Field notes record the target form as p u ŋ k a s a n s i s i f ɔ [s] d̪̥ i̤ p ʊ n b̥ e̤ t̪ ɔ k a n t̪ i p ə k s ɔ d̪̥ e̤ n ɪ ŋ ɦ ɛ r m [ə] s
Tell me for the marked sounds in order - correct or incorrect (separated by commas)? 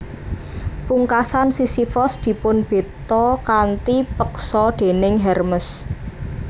correct, correct